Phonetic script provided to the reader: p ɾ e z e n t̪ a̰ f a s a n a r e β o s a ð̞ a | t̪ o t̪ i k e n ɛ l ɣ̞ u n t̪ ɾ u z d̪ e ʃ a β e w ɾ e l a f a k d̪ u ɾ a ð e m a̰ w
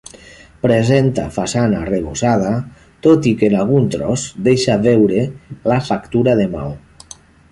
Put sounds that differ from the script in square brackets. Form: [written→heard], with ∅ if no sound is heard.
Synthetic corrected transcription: p ɾ e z e n t̪ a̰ f a s a n a r e β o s a ð̞ a | t̪ o t̪ i k e n [ɛ→a] l ɣ̞ u n t̪ ɾ [u→ɔ] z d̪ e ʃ a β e w ɾ e l a f a k [d̪→t̪] u ɾ a ð e m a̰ w